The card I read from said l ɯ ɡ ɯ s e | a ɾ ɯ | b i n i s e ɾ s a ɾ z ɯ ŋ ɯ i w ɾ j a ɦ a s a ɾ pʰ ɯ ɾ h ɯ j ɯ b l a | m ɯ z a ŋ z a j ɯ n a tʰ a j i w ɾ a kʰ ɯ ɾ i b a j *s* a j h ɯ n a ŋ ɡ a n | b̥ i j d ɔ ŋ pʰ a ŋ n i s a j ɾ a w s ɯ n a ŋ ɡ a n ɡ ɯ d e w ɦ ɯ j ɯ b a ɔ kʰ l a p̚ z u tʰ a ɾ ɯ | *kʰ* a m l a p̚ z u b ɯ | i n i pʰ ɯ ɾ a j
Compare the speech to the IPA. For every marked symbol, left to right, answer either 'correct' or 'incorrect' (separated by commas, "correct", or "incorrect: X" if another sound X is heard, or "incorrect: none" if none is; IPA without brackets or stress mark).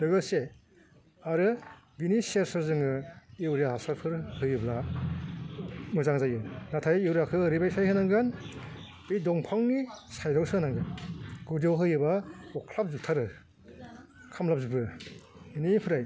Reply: correct, correct